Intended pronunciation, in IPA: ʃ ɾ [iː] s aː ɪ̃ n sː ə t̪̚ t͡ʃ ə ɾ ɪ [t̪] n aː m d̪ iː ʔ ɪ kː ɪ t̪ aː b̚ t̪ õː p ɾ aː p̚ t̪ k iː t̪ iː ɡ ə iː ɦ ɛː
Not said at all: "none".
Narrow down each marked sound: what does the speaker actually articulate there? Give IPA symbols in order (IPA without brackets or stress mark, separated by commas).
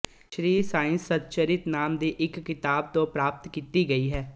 iː, t̪